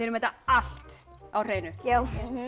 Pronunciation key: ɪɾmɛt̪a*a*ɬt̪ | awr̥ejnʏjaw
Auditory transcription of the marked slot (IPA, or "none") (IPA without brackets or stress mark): a